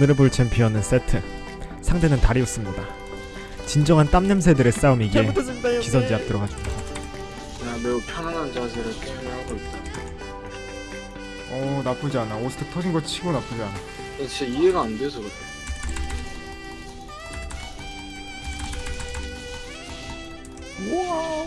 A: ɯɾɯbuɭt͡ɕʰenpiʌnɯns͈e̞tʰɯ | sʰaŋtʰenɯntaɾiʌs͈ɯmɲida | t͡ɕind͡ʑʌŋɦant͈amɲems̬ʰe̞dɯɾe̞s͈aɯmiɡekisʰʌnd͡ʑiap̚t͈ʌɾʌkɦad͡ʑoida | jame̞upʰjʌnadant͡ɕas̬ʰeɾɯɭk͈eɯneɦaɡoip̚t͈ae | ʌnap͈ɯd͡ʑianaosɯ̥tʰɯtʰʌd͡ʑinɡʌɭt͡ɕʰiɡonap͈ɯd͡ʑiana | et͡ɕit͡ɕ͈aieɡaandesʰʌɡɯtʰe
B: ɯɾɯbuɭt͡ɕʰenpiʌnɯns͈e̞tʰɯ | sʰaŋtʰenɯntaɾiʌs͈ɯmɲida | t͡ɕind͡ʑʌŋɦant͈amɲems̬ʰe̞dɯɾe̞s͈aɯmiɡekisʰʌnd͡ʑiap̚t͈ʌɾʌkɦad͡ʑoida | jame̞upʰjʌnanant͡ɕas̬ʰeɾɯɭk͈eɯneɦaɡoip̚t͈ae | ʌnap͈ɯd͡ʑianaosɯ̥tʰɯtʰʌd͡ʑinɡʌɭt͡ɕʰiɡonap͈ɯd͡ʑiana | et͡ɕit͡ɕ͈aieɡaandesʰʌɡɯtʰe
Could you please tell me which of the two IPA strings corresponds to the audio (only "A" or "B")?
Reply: B